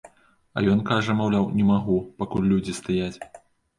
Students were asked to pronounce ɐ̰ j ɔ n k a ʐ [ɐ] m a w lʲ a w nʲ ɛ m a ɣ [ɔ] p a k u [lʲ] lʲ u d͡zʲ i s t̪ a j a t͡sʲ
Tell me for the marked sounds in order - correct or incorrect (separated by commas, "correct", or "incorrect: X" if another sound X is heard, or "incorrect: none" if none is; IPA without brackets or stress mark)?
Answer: correct, incorrect: u, correct